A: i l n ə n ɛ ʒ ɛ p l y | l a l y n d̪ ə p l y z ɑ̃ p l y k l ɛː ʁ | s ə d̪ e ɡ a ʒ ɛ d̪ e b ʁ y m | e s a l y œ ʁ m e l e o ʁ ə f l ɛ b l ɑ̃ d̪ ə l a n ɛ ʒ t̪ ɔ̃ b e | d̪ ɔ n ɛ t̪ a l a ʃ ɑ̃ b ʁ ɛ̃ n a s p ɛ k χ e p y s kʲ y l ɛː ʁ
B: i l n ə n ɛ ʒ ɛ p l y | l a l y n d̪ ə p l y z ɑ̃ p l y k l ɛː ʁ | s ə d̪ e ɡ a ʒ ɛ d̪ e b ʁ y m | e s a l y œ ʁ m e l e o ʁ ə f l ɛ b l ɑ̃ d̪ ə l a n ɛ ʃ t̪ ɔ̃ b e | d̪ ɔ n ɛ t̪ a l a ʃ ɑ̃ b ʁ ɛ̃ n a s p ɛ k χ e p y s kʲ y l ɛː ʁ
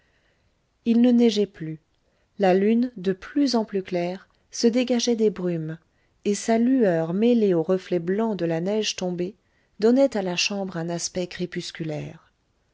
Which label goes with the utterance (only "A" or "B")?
A